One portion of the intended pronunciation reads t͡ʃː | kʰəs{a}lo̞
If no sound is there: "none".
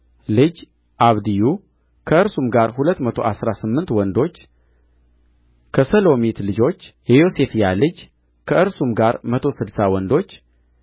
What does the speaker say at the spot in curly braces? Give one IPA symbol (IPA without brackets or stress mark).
ə